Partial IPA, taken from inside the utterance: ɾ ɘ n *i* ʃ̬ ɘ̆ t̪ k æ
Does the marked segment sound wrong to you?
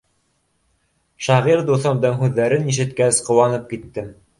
no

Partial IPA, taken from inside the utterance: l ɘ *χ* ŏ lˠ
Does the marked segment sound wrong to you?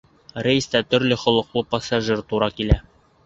no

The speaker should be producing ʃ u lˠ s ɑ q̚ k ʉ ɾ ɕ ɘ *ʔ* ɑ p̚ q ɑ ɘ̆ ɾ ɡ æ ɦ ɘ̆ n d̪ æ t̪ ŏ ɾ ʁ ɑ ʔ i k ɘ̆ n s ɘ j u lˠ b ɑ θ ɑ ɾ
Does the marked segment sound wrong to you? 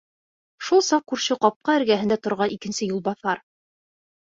yes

